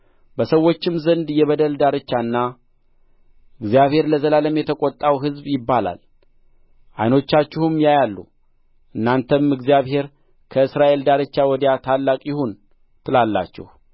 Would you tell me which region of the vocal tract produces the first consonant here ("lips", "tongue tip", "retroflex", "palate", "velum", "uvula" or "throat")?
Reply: lips